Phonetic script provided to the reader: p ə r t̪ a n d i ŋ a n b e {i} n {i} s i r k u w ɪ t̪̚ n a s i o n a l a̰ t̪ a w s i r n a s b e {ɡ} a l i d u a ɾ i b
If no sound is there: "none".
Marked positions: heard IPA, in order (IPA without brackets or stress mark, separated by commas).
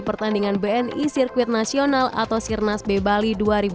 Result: ɛ, i, b